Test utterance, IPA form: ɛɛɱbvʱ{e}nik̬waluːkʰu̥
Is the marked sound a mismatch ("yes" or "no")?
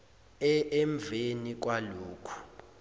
no